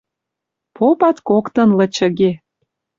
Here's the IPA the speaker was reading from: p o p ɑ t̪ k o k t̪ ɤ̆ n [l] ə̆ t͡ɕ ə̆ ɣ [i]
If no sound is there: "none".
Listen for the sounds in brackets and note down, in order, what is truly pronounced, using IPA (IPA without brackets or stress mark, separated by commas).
l, e